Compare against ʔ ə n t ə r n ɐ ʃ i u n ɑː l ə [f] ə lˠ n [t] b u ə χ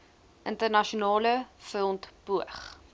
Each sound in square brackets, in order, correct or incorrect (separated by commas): correct, correct